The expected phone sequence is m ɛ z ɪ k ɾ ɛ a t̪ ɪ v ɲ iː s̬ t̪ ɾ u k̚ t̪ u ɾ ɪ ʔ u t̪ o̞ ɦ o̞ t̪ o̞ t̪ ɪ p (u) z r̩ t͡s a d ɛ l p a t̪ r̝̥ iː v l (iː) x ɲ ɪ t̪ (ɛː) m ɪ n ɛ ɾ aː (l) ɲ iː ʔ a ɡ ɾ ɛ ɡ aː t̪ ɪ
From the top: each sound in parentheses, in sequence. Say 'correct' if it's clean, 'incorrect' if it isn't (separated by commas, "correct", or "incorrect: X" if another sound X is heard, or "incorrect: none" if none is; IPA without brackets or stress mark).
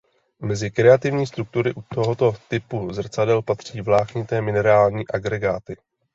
correct, incorrect: aː, correct, correct